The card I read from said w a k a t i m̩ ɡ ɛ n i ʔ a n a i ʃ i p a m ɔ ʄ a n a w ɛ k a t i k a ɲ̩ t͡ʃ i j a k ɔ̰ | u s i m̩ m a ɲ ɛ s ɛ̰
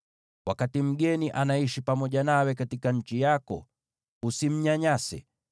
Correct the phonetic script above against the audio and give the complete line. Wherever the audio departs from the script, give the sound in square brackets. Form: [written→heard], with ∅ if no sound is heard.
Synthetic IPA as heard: w a k a t i m̩ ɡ ɛ n i ʔ a n a i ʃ i p a m ɔ ʄ a n a w ɛ k a t i k a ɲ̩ t͡ʃ i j a k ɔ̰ | u s i m̩ [m→ɲ] a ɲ [ɛ→a] s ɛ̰